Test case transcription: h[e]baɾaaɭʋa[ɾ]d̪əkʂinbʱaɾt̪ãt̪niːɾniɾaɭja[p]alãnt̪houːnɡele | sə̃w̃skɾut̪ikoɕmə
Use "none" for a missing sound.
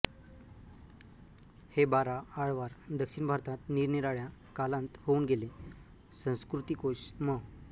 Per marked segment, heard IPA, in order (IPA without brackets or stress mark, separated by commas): e, ɾ, k